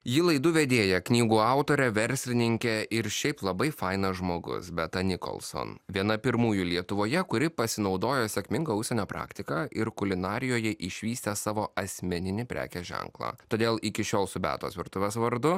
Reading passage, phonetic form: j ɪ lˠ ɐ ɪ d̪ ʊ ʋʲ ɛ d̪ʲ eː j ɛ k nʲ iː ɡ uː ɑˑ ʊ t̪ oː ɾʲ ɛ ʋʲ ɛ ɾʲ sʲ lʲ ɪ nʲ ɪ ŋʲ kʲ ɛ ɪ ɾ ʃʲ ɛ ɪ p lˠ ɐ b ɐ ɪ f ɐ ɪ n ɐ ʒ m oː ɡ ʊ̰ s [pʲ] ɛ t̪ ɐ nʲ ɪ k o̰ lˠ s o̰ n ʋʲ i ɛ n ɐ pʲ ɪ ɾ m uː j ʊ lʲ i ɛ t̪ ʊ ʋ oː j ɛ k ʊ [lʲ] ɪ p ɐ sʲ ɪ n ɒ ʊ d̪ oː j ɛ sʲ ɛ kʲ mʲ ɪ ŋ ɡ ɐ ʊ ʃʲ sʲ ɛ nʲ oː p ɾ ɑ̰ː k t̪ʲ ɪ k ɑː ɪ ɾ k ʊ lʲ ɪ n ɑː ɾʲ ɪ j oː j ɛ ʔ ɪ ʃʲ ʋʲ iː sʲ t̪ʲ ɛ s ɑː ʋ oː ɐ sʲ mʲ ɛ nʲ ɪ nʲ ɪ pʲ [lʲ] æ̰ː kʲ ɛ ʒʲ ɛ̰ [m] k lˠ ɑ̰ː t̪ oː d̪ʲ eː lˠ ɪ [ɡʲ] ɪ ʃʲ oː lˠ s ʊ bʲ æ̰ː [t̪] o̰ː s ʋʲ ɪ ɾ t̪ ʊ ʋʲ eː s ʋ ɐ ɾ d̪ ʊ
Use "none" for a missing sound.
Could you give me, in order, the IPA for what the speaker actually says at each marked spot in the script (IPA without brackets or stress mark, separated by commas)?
bʲ, ɾʲ, ɾʲ, ŋ, kʲ, t̪